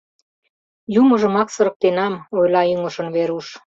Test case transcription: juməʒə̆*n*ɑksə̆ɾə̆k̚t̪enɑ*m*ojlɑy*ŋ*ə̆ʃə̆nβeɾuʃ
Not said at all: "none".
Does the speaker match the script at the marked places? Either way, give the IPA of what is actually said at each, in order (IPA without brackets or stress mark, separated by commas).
m, m, ŋ